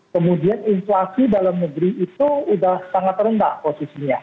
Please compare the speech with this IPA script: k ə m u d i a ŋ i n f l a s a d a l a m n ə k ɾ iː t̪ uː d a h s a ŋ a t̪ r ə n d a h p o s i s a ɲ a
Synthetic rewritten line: k ə m u d i a n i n f l a s i d a l a m n ə ɡ ɾ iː t̪ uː d a h s a ŋ a t̪ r ə n d a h p o s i s i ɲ a